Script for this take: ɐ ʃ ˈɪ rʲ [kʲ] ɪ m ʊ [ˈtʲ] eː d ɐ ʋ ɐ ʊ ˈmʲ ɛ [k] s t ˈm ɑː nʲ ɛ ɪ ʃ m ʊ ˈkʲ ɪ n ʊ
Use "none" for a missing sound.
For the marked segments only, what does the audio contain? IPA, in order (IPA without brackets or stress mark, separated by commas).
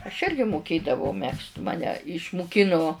ɡʲ, kʲ, k